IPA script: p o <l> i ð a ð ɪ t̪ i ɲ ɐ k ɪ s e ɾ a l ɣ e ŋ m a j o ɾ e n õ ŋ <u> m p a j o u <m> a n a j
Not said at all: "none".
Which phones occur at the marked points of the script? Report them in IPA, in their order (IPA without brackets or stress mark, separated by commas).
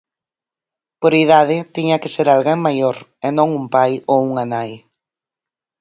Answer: ɾ, u, ŋ